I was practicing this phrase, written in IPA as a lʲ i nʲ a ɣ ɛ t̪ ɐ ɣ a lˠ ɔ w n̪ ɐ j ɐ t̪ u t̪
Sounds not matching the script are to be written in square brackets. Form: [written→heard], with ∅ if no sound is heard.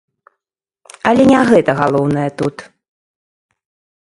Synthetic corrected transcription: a lʲ [i→ɛ] nʲ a ɣ ɛ t̪ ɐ ɣ a lˠ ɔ w n̪ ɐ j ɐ t̪ u t̪